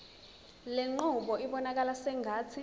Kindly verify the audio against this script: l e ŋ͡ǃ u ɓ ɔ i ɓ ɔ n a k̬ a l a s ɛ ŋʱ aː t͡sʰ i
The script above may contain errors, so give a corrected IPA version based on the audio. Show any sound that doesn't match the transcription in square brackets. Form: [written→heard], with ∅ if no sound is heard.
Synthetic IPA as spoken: l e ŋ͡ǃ u ɓ ɔ i ɓ ɔ n a k̬ a l a s ɛ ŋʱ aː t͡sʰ i